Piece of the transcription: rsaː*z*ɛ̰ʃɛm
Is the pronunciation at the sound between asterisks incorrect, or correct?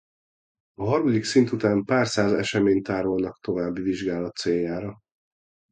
correct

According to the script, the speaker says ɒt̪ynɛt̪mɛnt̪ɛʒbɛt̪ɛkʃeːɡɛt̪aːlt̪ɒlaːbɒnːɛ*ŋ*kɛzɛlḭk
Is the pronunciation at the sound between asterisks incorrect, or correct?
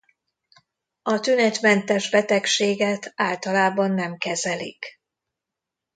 incorrect: m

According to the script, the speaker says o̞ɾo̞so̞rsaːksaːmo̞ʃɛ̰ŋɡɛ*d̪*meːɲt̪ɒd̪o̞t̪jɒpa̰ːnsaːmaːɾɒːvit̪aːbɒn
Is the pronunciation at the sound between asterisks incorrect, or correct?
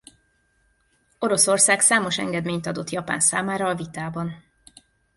correct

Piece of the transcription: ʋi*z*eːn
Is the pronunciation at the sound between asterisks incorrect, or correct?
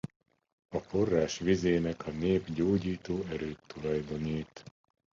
correct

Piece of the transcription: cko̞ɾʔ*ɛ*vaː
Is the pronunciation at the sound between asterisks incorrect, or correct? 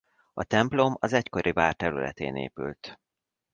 incorrect: i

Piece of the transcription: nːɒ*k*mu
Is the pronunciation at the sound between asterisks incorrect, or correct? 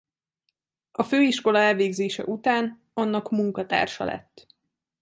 correct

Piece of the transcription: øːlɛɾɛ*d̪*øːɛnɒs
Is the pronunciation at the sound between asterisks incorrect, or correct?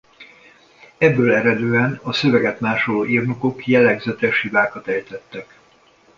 correct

